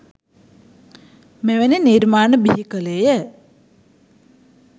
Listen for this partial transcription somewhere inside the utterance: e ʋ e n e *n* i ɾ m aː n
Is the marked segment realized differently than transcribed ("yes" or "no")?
no